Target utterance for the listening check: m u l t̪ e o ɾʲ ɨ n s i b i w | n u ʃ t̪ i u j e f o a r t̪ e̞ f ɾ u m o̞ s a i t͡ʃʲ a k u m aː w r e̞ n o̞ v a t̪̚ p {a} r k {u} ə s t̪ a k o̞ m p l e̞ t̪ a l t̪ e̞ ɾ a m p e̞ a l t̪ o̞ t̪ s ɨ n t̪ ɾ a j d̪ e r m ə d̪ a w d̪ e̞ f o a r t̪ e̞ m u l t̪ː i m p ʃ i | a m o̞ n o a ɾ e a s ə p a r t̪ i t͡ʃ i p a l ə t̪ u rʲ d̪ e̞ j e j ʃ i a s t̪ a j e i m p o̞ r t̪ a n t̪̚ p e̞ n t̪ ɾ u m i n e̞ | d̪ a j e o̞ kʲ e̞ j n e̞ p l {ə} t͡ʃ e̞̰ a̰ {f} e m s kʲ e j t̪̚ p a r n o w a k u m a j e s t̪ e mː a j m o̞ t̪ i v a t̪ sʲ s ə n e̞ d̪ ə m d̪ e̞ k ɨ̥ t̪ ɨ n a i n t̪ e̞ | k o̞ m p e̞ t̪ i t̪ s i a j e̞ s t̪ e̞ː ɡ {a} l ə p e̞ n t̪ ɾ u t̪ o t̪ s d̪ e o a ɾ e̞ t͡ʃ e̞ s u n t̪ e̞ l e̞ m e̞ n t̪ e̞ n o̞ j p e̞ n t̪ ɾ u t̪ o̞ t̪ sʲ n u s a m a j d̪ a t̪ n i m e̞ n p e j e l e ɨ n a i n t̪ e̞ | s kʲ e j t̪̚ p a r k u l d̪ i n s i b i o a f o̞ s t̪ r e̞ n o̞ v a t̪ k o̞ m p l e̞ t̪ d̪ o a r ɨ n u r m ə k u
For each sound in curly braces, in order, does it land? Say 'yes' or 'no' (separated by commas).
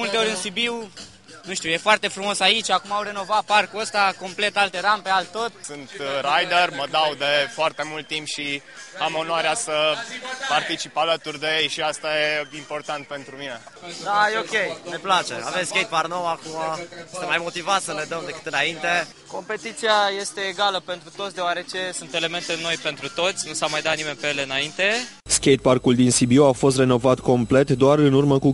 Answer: yes, yes, no, no, yes